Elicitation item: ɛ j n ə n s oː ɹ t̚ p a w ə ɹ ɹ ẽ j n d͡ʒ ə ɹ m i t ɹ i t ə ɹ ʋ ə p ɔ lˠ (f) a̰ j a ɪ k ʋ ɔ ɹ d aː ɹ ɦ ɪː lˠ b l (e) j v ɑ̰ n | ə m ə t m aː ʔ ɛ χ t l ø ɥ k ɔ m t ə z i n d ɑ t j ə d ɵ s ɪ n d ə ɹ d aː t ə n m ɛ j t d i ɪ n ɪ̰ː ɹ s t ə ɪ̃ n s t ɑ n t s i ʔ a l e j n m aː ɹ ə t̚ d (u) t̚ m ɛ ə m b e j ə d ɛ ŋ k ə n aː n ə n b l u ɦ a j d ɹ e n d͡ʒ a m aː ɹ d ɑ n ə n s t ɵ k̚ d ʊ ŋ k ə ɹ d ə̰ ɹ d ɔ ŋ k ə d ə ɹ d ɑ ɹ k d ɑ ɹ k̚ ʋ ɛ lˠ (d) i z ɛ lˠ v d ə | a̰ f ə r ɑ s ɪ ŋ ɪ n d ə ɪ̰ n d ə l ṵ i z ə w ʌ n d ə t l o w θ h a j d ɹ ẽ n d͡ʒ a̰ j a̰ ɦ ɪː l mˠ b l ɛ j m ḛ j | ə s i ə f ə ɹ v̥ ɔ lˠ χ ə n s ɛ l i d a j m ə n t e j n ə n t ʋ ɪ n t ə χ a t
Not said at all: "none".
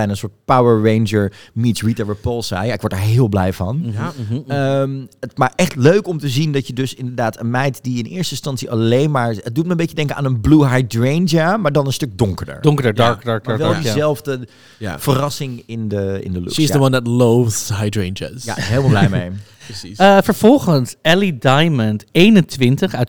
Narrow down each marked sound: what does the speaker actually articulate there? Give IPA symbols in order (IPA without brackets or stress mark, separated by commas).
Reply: s, ɛ, u, d